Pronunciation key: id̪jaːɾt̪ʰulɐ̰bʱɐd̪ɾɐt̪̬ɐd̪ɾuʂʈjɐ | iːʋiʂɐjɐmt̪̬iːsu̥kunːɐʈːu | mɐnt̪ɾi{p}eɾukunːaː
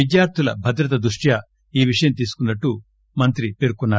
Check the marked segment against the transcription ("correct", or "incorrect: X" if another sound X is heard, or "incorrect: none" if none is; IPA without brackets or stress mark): correct